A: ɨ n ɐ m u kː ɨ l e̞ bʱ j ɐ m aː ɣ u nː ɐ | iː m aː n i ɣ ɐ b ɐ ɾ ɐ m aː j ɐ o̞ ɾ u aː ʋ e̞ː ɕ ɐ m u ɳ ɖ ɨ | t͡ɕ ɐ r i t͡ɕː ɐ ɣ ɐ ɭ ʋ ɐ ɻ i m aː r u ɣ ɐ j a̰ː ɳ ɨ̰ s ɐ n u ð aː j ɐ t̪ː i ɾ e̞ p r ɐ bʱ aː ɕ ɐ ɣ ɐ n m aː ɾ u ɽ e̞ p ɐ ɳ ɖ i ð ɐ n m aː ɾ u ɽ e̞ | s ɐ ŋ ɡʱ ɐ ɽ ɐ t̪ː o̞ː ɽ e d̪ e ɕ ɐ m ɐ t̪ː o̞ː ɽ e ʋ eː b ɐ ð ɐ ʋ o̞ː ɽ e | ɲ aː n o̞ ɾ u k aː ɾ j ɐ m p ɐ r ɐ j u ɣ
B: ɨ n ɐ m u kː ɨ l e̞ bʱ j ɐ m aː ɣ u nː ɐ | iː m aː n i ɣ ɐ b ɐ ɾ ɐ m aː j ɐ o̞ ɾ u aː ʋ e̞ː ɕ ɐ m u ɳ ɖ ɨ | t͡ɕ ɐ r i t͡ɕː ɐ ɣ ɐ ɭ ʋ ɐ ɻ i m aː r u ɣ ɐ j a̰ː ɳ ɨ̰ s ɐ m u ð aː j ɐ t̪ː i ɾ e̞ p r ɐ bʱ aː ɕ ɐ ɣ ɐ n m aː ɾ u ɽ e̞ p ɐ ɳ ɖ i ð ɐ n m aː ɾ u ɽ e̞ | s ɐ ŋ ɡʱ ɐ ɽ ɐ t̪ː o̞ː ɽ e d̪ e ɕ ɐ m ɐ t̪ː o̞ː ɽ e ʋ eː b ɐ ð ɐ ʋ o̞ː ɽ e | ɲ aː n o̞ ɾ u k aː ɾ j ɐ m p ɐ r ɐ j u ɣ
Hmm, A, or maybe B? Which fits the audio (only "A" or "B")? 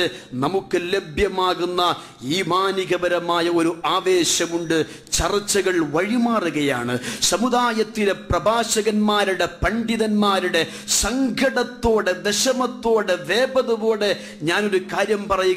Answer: B